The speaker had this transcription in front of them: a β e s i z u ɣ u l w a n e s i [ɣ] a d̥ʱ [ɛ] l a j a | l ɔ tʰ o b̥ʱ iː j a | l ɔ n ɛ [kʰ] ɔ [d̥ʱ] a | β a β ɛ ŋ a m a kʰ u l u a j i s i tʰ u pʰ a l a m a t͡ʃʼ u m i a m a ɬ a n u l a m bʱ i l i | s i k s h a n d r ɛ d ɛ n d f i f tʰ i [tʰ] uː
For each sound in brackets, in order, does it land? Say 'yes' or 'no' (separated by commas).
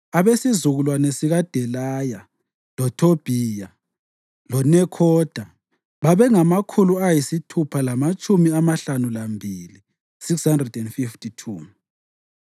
yes, yes, yes, yes, yes